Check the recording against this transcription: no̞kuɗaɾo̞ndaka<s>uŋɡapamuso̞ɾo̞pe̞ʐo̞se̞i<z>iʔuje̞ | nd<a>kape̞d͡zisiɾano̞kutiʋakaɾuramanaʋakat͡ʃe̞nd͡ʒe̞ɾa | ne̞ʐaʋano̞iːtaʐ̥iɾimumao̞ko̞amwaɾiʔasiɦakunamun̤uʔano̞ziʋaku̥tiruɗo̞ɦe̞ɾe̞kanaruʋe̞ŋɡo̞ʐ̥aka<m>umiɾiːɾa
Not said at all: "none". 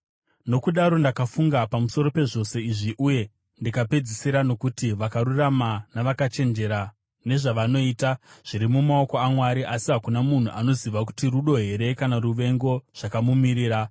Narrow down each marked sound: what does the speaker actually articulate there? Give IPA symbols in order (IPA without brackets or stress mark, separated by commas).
f, ʐ, i, m